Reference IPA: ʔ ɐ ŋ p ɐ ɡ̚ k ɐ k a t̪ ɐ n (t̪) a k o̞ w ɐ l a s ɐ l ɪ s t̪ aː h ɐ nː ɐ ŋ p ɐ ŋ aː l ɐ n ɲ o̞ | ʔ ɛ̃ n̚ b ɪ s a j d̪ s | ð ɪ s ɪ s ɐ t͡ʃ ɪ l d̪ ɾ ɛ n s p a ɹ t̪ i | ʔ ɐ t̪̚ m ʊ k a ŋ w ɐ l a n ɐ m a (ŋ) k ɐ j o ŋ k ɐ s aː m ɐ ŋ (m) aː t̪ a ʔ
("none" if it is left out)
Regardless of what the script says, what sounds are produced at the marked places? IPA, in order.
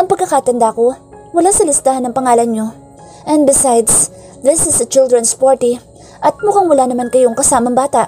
d̪, n, b

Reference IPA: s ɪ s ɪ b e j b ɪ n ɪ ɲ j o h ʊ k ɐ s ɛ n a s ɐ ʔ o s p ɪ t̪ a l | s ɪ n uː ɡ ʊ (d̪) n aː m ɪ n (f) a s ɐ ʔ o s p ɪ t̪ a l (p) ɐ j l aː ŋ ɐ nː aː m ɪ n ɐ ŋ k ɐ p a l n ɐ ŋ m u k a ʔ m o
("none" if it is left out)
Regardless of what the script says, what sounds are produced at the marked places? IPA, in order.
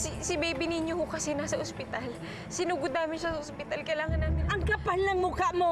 d̪, ʃ, k

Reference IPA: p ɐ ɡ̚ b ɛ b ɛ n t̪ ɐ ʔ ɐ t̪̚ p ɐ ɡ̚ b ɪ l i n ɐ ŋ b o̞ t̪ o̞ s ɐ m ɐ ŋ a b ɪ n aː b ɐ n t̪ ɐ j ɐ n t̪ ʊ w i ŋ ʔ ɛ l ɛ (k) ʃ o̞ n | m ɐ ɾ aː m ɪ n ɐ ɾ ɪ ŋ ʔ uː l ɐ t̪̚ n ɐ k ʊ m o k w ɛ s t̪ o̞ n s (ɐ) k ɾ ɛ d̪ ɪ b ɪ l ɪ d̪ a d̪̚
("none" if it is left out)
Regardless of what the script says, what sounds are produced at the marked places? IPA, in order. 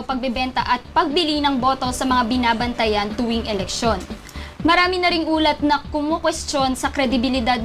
k, ɐ

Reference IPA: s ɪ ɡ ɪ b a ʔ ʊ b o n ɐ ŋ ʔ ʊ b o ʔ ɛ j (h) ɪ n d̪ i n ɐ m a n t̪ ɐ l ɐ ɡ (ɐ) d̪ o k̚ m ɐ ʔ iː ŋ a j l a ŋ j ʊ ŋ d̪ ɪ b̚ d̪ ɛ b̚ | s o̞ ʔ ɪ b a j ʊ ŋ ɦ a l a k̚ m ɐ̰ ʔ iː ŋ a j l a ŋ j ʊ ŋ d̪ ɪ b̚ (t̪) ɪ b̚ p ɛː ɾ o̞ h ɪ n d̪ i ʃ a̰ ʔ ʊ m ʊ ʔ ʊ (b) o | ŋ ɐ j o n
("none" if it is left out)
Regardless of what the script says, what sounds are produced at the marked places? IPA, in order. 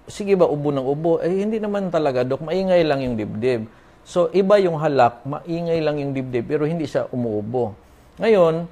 h, a, d̪, b

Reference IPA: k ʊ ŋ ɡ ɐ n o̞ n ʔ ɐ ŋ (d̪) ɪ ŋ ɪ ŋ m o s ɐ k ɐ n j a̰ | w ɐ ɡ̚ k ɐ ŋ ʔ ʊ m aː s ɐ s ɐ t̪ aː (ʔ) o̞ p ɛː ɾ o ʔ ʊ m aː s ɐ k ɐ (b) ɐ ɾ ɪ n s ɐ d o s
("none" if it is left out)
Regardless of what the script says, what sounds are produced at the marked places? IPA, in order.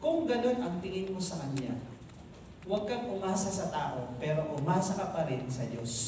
t̪, ʔ, p

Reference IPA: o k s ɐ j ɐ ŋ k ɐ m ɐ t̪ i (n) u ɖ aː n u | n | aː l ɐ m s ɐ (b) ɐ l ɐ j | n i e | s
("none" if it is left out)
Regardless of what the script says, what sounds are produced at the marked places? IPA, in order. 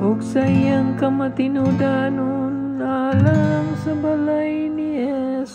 n, b

